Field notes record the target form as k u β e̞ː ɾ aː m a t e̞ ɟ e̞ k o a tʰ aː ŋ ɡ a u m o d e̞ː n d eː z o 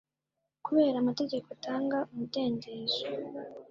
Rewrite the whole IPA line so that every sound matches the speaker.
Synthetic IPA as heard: k u β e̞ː ɾ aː m a t e̞ ɟ e̞ k o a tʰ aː ŋ ɡ a u m u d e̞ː n d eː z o

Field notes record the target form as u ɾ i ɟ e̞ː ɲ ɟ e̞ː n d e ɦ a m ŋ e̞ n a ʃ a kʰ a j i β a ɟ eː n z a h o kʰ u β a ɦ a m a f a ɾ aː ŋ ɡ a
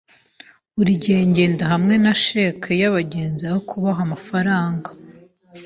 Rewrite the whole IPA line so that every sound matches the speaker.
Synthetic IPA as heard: u ɾ i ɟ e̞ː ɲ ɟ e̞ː n d a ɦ a m ŋ e̞ n a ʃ e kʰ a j a β a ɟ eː n z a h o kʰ u β a ɦ a m a f a ɾ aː ŋ ɡ a

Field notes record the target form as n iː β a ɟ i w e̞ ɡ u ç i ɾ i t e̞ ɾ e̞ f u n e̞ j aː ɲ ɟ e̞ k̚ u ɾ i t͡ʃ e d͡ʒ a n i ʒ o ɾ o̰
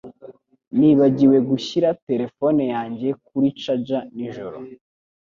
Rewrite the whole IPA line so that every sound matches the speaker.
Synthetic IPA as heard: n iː β a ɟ i w e̞ ɡ u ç i ɾ a t e̞ ɾ e̞ f o n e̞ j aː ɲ ɟ e̞ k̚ u ɾ i t͡ʃ a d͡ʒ a n i ʒ o ɾ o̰

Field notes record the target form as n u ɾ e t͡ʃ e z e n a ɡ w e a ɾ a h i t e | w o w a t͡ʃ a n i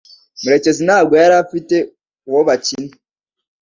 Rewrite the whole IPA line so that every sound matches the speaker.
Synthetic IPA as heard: m u ɾ e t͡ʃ e z i n a ɡ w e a ɾ a f i t e | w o β a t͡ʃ i n i

